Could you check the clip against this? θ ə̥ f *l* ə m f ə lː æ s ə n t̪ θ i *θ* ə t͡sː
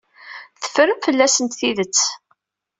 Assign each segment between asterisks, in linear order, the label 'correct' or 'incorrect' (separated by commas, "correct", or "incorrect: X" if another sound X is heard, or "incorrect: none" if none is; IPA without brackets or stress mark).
incorrect: ɾ, incorrect: ð